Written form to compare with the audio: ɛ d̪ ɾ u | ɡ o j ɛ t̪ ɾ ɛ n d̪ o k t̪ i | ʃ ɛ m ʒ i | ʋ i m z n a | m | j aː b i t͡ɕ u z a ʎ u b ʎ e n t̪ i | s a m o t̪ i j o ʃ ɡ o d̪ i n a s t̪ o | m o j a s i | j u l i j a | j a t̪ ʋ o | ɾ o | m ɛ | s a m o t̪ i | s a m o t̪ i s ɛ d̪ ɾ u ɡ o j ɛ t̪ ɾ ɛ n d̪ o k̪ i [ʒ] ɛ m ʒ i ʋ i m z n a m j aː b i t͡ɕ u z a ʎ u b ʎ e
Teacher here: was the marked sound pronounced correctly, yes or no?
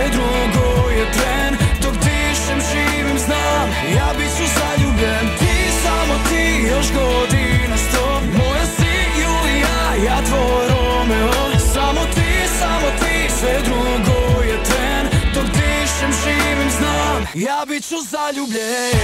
no